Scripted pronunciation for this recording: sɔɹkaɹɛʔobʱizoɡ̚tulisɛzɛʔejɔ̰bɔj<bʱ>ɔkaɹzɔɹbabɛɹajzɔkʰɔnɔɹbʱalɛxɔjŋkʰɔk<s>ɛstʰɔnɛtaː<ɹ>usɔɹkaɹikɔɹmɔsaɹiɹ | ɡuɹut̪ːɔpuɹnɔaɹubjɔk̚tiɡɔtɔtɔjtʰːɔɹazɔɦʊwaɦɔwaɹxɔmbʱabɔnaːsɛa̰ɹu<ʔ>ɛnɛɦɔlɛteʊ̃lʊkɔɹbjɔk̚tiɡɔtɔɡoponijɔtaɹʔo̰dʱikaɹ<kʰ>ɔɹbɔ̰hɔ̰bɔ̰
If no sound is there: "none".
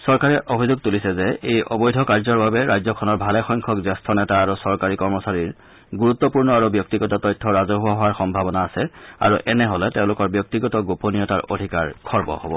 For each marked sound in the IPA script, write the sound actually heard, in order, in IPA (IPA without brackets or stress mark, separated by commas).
dʱ, z, ɹ, ʔ, kʰ